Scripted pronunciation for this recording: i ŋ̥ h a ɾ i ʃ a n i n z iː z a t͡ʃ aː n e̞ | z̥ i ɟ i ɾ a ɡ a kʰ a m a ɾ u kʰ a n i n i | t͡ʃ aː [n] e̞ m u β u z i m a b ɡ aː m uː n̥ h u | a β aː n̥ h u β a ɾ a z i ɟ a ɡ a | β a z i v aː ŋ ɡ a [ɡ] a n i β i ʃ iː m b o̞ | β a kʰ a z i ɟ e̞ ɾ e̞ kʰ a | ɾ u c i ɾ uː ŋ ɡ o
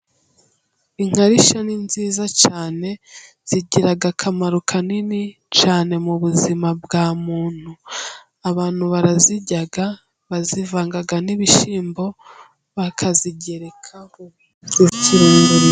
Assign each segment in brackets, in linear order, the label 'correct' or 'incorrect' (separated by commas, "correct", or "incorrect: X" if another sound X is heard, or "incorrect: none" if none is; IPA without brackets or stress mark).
correct, correct